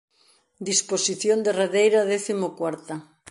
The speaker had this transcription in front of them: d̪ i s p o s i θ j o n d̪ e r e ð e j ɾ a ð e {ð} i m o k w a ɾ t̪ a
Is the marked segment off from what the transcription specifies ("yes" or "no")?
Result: yes